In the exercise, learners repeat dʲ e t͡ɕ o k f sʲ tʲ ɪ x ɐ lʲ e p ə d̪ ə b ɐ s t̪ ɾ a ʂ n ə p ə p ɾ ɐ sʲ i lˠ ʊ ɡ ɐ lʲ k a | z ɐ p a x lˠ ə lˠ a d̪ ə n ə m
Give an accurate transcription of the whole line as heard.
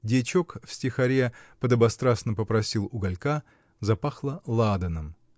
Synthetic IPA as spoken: dʲ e t͡ɕ o k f sʲ tʲ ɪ x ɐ ɾʲ e p ə d̪ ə b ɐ s t̪ ɾ a s n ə p ə p ɾ ɐ sʲ i lˠ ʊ ɡ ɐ lʲ k a | z ɐ p a x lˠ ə lˠ a d̪ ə n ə m